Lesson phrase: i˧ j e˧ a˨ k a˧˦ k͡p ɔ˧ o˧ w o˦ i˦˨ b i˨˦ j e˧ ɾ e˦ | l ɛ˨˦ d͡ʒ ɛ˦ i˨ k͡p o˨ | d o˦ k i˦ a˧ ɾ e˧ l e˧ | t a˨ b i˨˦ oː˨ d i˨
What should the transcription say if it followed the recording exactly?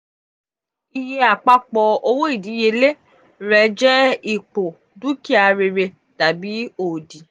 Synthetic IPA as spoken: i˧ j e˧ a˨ k͡p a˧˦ k͡p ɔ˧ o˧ w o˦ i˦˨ d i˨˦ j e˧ l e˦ | ɾ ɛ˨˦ d͡ʒ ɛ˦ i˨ k͡p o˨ | d u˦ k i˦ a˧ ɾ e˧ ɾ e˧ | t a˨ b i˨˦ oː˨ d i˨